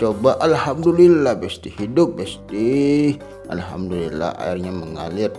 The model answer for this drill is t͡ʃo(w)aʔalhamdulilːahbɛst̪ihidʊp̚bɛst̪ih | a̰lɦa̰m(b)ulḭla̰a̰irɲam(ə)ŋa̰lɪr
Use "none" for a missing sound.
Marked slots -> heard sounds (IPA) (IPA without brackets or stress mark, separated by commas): b, d, ə